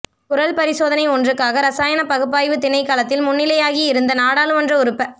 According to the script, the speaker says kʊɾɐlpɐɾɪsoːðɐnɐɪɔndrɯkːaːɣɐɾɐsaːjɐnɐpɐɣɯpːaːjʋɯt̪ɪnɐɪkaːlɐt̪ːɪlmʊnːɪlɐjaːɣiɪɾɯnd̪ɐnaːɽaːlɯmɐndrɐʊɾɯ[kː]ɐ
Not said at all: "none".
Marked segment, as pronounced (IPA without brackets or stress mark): pː